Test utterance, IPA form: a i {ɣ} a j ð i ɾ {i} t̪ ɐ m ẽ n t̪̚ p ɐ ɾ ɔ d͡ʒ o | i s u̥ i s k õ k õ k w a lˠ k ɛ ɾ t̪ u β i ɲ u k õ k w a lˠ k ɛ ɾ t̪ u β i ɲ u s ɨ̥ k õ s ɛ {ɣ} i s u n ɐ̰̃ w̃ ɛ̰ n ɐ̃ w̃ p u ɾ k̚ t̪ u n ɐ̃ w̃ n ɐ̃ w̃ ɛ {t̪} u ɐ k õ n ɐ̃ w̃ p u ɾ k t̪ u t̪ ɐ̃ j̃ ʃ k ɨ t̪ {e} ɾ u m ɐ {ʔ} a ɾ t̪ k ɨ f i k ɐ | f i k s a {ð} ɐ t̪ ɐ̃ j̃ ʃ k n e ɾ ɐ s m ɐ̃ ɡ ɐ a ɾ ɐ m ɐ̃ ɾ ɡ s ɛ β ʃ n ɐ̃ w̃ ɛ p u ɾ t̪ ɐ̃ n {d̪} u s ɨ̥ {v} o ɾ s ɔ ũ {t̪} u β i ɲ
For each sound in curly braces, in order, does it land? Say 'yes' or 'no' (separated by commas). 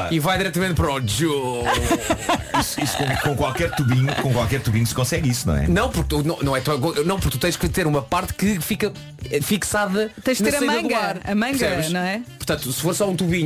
no, no, yes, yes, yes, no, yes, no, no, yes